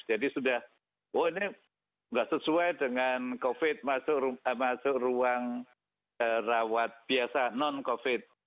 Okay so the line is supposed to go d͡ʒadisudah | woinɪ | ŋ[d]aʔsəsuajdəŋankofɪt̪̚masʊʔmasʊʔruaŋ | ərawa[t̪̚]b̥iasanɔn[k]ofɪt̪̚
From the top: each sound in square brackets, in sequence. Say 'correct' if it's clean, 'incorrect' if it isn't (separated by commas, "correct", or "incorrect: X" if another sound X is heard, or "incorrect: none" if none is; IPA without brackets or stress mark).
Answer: incorrect: ɡ, correct, correct